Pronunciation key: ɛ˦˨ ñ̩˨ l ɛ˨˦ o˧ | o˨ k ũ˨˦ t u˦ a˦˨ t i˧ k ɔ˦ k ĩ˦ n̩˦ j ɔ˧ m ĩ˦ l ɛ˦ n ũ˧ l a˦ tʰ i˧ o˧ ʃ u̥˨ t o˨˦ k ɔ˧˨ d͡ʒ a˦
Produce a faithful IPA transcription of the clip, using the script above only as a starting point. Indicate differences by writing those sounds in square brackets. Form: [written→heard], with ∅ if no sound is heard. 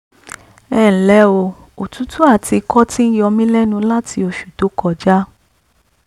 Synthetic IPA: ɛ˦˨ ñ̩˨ l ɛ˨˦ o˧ | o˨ [k→t] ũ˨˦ t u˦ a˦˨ t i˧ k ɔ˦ [k→t] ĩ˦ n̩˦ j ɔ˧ m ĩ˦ l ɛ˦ n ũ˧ l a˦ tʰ i˧ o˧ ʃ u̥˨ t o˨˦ k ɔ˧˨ d͡ʒ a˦